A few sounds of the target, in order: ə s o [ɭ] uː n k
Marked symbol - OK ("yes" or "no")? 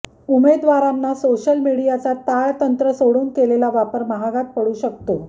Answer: no